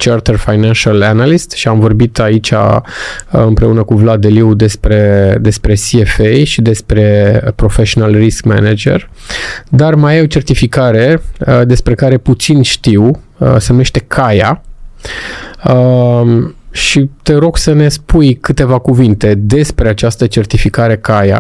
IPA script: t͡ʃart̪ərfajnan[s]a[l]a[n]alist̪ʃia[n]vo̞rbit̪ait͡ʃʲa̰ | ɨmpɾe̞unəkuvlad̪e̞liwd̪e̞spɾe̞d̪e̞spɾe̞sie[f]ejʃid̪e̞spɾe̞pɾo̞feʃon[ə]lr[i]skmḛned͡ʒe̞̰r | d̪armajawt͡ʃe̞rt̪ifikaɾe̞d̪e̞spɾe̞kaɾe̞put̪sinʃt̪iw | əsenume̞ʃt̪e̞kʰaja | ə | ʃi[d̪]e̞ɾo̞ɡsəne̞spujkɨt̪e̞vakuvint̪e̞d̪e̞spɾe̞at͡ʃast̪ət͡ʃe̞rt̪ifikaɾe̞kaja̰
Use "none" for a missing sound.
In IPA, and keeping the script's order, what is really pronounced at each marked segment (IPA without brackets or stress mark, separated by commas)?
ʃ, l, n, m, f, a, i, t̪